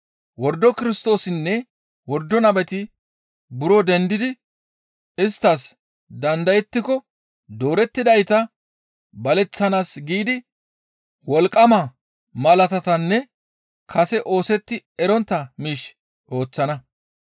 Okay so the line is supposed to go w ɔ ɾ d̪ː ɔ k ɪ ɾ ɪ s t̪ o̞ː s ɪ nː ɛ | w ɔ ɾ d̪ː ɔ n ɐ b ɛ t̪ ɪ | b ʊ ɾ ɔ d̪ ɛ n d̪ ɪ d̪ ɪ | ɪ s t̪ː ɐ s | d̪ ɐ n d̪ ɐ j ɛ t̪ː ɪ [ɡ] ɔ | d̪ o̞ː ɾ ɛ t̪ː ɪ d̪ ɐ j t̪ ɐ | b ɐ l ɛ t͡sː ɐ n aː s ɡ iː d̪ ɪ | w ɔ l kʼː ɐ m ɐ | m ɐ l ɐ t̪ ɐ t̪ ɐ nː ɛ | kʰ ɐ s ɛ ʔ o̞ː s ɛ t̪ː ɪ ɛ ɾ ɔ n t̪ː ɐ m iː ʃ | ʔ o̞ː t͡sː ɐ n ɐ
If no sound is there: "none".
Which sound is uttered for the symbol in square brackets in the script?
k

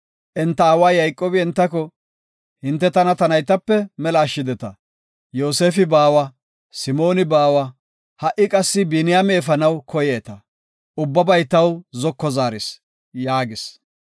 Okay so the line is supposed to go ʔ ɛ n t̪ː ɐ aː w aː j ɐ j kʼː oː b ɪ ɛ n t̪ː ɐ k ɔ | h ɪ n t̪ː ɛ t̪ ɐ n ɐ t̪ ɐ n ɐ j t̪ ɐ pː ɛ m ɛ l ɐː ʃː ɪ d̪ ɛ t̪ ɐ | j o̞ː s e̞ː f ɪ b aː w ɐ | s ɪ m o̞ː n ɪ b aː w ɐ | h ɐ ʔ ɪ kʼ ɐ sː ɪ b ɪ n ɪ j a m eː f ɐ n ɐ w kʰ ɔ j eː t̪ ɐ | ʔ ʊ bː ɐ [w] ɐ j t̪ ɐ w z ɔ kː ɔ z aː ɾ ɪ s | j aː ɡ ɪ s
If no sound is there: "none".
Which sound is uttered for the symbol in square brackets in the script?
b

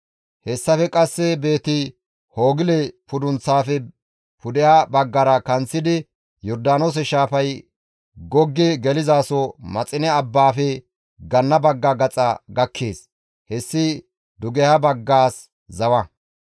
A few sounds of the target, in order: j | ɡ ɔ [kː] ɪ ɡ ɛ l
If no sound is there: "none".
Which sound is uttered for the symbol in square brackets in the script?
ɡː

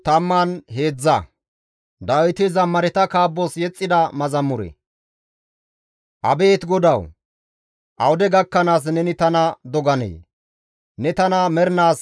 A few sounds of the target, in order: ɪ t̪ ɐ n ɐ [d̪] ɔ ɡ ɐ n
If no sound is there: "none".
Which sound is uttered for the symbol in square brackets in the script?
d̪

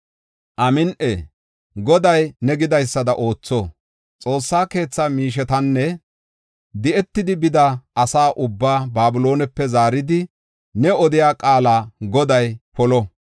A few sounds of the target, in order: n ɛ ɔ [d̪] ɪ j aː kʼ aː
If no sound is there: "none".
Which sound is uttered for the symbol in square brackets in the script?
d̪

